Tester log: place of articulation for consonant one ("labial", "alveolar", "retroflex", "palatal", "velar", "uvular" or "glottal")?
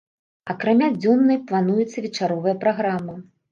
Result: velar